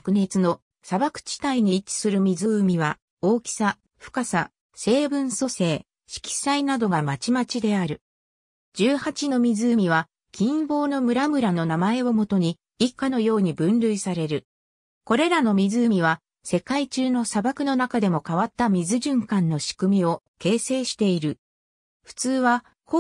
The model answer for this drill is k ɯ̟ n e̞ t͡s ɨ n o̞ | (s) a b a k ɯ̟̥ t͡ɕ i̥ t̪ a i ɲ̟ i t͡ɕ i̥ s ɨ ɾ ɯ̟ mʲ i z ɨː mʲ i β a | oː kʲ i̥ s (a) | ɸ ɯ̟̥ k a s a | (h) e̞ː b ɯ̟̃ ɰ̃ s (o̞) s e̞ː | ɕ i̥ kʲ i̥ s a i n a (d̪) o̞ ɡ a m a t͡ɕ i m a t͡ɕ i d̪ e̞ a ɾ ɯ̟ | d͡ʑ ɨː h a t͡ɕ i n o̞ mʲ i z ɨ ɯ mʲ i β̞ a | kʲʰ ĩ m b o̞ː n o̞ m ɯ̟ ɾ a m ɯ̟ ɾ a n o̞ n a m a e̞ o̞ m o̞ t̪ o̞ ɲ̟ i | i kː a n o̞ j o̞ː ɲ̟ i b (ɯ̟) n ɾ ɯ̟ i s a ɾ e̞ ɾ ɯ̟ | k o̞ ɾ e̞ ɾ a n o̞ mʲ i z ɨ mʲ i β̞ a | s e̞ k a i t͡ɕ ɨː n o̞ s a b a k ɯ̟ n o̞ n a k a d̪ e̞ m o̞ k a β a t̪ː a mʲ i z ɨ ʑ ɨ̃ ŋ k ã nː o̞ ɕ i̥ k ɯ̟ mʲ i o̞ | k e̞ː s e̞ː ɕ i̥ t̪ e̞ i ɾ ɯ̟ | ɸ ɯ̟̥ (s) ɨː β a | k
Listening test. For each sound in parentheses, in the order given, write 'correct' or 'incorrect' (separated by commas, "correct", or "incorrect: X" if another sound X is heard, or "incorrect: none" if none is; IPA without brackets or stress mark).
correct, correct, incorrect: s, correct, correct, incorrect: ɯ̟̃, incorrect: t͡s